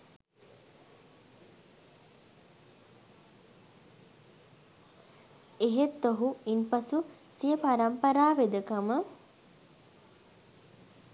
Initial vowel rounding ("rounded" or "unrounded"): unrounded